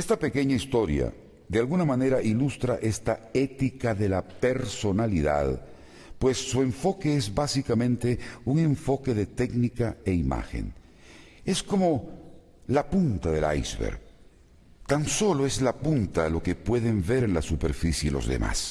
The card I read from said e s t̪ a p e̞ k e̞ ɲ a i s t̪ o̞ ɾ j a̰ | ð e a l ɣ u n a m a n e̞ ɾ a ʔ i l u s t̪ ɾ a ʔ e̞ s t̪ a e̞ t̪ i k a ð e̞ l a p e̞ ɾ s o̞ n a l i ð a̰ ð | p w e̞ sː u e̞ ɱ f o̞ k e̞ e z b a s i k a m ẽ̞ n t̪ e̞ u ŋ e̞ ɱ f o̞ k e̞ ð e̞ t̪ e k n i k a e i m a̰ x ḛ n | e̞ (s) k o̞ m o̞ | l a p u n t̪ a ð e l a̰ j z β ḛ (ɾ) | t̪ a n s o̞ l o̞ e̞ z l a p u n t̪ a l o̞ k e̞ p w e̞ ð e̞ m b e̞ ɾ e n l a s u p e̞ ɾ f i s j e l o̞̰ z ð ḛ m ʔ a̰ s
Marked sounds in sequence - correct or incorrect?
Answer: correct, correct

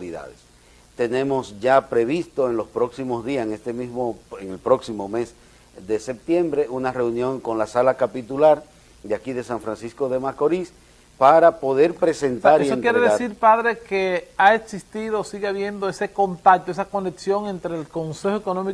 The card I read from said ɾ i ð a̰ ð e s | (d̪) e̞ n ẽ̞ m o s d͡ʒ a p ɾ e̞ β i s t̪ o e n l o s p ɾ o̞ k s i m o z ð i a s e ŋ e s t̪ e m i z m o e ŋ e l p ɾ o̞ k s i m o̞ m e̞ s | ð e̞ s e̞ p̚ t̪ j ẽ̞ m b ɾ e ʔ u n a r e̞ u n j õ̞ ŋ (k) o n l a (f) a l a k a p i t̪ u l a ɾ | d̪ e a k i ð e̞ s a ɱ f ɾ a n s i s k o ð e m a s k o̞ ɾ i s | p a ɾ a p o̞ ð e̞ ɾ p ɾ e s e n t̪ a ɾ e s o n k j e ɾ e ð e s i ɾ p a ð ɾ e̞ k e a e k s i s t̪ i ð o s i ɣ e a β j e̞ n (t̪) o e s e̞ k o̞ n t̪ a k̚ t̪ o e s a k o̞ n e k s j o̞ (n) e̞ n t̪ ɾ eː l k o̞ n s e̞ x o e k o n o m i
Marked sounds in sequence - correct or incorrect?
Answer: incorrect, correct, incorrect, incorrect, incorrect

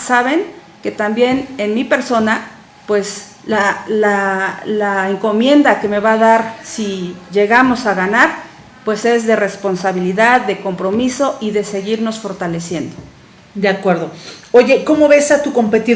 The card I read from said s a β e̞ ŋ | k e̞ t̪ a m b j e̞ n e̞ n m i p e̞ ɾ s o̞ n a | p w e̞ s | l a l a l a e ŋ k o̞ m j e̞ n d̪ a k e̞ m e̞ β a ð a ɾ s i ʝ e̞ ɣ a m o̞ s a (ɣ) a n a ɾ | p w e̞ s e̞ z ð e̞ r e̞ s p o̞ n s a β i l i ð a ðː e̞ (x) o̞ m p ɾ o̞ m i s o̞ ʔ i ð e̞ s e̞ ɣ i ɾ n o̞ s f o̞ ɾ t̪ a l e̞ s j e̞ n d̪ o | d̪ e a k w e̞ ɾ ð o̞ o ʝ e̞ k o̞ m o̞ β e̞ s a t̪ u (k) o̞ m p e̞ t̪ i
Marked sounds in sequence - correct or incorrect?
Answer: correct, incorrect, correct

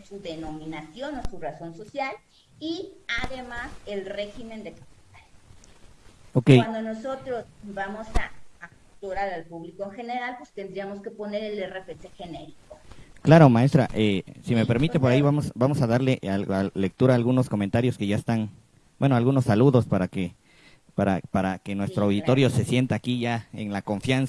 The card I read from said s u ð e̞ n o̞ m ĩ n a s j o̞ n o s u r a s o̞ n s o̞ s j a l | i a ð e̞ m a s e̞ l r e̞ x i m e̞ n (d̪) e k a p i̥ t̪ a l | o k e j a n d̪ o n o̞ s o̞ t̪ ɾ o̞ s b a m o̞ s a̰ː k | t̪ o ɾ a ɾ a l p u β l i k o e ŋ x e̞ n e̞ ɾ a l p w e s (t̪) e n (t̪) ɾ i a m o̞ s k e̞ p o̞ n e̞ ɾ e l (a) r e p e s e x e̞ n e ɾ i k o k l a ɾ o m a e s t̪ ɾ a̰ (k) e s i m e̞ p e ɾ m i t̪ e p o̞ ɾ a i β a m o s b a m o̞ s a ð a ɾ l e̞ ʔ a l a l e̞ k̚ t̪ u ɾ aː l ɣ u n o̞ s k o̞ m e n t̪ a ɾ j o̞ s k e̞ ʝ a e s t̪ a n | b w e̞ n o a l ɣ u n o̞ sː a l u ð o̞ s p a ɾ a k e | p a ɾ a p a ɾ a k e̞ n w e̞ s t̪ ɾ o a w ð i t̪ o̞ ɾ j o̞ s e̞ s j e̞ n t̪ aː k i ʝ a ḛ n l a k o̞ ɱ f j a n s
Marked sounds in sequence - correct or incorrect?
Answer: correct, correct, incorrect, incorrect, incorrect

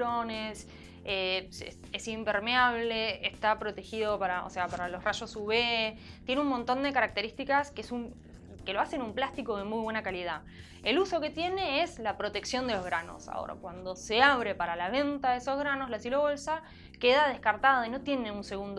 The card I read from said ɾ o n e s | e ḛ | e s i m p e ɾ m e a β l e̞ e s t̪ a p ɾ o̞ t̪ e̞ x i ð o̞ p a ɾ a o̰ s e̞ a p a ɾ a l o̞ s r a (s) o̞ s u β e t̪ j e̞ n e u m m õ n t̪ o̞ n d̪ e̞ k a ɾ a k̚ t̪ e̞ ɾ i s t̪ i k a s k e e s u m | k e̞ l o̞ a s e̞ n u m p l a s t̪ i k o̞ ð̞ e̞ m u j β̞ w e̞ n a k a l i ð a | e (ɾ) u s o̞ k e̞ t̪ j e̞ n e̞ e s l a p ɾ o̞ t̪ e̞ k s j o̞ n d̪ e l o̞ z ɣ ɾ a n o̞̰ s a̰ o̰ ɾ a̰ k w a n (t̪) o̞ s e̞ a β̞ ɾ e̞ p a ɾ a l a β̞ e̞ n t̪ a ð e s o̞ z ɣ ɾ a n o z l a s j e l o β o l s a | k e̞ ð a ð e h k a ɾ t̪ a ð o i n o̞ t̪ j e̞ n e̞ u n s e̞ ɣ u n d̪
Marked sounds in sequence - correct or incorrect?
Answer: incorrect, incorrect, incorrect

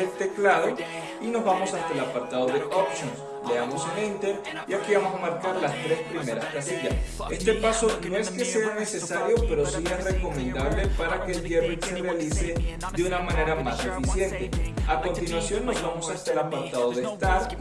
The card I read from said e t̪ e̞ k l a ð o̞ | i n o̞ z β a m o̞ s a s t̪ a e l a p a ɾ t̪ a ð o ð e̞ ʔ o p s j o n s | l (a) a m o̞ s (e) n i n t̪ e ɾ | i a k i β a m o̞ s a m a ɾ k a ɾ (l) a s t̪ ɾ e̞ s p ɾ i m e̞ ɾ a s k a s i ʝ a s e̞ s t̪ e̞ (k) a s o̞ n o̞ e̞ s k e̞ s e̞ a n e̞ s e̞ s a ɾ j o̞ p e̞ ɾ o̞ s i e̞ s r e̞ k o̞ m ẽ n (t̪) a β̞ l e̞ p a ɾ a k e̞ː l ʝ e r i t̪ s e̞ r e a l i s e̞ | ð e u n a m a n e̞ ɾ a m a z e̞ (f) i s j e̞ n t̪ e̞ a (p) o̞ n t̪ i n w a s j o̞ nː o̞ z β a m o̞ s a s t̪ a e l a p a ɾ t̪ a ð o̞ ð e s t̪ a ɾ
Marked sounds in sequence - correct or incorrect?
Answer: incorrect, correct, correct, incorrect, incorrect, correct, incorrect

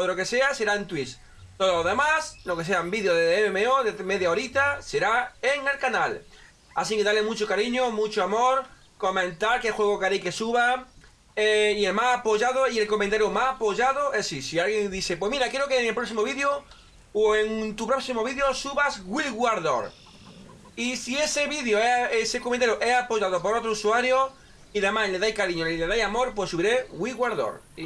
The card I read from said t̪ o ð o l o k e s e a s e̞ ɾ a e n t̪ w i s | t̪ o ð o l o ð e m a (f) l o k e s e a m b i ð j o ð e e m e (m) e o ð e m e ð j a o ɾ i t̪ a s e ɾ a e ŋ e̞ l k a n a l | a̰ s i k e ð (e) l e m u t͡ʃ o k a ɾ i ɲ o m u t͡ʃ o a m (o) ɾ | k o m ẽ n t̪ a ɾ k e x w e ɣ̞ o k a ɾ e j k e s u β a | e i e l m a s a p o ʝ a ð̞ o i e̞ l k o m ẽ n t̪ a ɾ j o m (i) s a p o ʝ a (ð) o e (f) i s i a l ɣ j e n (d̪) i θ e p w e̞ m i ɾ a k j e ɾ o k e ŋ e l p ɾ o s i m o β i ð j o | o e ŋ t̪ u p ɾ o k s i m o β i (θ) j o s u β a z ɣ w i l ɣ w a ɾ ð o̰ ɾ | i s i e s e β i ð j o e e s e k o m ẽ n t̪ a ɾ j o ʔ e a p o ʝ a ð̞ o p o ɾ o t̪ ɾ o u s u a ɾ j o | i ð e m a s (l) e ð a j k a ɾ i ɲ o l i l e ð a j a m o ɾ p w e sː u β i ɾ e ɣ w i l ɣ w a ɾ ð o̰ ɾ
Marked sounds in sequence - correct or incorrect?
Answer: incorrect, correct, incorrect, correct, incorrect, correct, incorrect, correct, incorrect, correct

